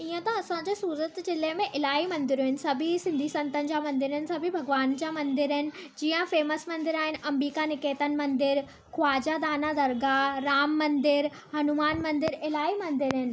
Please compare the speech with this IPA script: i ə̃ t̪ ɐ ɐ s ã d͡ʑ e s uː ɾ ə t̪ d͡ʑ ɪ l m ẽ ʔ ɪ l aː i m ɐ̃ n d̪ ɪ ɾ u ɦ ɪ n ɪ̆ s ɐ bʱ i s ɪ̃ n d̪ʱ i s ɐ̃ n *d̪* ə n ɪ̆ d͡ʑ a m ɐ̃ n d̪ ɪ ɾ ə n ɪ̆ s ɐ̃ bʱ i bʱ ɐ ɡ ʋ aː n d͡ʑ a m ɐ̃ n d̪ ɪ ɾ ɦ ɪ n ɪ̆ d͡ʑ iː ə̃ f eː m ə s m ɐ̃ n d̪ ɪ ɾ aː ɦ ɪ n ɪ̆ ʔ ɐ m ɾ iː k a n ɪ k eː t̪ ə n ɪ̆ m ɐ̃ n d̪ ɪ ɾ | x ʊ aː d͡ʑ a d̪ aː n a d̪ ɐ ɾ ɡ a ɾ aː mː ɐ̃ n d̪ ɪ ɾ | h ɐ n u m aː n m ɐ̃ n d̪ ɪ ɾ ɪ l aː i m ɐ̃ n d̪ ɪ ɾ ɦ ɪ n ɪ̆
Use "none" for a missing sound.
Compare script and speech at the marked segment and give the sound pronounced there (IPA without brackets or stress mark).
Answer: t̪